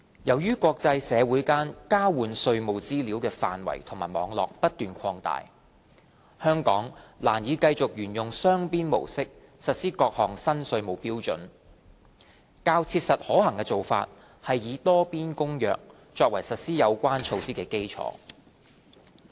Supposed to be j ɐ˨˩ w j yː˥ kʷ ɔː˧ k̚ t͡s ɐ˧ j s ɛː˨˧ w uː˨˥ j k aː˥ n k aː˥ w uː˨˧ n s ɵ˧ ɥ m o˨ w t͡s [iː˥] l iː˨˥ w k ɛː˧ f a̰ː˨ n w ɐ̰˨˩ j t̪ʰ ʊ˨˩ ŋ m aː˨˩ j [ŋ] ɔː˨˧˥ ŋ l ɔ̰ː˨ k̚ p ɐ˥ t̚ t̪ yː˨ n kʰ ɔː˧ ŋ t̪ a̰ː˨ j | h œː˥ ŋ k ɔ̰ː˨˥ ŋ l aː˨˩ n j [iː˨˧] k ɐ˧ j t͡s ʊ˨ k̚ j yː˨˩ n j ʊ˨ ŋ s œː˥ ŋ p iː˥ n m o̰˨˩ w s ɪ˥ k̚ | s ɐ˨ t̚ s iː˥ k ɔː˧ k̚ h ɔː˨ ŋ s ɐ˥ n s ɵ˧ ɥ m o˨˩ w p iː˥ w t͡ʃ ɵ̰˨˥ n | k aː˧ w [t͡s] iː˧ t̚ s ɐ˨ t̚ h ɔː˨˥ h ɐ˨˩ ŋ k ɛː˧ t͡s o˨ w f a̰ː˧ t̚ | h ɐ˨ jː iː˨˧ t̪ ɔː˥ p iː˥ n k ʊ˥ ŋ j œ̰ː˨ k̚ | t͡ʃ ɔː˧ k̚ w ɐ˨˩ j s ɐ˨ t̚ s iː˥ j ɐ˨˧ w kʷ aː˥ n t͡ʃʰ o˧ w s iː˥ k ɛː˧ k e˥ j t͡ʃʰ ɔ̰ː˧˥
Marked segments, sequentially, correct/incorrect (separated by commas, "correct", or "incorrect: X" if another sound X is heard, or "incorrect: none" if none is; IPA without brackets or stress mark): correct, incorrect: m, correct, incorrect: t͡sʰ